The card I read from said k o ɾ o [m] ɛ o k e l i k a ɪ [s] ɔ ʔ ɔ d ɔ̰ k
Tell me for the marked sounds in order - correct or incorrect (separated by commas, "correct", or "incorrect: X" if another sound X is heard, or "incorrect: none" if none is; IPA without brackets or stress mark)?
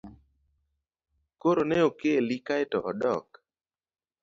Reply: incorrect: n, incorrect: t